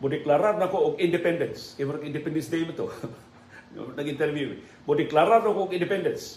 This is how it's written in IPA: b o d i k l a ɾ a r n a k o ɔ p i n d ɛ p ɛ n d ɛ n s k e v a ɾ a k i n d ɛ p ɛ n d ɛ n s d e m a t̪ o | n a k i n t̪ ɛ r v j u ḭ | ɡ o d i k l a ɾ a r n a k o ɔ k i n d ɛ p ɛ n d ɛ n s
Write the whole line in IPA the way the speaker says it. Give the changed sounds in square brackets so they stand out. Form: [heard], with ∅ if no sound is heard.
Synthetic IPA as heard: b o d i k l a ɾ a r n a k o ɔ [k] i n d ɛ p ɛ n d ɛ n s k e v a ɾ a k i n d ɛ p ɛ n d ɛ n s d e m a t̪ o | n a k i n t̪ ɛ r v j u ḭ | [b] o d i k l a ɾ a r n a k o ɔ k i n d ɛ p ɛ n d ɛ n s